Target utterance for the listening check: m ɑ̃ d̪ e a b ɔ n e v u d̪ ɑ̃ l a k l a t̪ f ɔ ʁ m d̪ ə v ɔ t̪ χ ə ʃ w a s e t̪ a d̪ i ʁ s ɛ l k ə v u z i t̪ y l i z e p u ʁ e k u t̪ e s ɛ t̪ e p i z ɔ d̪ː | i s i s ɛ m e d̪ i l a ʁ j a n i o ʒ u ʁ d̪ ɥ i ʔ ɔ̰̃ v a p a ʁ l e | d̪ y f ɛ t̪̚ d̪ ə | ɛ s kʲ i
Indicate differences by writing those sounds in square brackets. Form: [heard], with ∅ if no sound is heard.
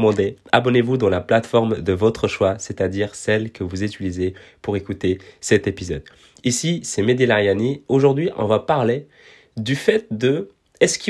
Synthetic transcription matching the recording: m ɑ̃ d̪ e a b ɔ n e v u d̪ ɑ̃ l a [p] l a t̪ f ɔ ʁ m d̪ ə v ɔ t̪ χ ə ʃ w a s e t̪ a d̪ i ʁ s ɛ l k ə v u z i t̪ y l i z e p u ʁ e k u t̪ e s ɛ t̪ e p i z ɔ [d̪] | i s i s ɛ m e d̪ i l a ʁ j a n i o ʒ u ʁ d̪ ɥ i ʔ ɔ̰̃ v a p a ʁ l e | d̪ y f ɛ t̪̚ d̪ ə | ɛ s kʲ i